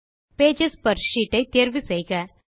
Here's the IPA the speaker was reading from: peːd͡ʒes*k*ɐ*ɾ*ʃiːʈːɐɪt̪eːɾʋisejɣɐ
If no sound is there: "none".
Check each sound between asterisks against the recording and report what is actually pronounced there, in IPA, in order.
p, ɾ

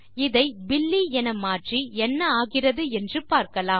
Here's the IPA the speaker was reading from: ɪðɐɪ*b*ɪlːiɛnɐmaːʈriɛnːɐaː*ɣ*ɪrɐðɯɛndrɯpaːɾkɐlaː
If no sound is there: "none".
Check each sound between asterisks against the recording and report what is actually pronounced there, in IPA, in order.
b, ɣ

